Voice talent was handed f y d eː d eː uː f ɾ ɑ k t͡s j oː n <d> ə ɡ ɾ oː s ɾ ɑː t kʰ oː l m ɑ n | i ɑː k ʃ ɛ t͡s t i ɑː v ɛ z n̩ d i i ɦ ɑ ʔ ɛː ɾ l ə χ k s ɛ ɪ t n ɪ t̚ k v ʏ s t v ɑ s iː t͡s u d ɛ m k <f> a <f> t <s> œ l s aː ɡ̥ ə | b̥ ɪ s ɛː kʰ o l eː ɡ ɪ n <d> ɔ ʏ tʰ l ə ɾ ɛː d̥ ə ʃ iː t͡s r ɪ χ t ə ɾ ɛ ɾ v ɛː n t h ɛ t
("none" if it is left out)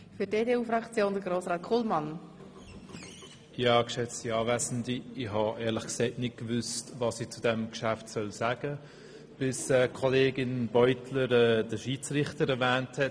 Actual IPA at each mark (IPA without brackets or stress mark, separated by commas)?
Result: d, ʃ, f, s, b